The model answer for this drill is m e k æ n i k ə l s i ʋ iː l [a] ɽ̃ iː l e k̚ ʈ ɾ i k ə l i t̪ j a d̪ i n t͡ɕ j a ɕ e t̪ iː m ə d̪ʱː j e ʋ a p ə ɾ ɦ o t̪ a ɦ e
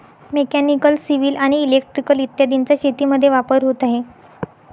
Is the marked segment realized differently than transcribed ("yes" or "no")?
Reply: no